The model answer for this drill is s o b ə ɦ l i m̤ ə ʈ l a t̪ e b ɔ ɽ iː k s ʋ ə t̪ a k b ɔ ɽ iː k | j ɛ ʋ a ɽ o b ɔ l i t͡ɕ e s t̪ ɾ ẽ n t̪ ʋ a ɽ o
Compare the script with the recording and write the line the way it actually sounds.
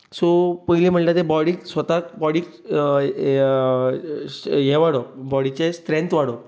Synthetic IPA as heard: s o p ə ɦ l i m̤ ə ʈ l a t̪ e b ɔ ɽ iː k s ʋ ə t̪ a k b ɔ ɽ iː k | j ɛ ʋ a ɽ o b ɔ ɽ i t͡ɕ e s t̪ ɾ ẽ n t̪ ʋ a ɽ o